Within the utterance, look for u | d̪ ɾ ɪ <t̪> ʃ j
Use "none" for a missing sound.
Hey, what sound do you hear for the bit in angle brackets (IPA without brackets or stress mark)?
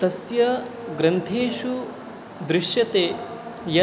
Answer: none